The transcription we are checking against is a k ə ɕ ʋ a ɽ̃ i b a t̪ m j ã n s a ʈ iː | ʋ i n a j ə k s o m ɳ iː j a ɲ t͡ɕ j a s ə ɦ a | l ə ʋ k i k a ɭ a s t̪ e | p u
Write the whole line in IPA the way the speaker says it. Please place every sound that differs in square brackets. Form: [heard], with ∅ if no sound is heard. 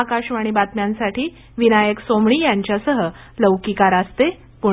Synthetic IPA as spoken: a k [a] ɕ ʋ a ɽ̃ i b a t̪ m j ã n s a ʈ iː | ʋ i n a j ə k s o m ɳ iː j a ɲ t͡ɕ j a s ə ɦ [ə] | l ə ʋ k i k a [ɾ] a s t̪ e | p u